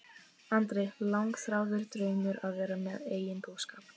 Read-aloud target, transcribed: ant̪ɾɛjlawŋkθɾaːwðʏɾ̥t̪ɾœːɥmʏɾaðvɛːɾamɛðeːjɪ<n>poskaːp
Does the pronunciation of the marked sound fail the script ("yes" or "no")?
no